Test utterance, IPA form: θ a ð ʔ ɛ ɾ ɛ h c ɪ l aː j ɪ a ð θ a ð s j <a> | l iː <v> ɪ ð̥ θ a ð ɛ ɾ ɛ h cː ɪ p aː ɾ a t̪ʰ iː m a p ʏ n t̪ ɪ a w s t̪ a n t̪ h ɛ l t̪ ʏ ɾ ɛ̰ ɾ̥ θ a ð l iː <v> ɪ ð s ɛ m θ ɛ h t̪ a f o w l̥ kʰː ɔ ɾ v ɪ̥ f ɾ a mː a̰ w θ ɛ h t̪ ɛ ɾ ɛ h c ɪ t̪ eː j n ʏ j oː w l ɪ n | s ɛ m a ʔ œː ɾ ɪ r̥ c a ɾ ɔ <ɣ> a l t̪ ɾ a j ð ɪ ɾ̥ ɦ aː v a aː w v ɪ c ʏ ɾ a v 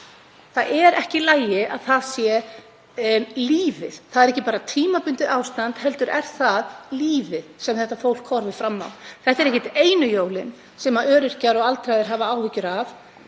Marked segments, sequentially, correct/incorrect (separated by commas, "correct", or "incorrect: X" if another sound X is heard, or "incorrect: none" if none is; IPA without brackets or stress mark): incorrect: ɛ, correct, correct, correct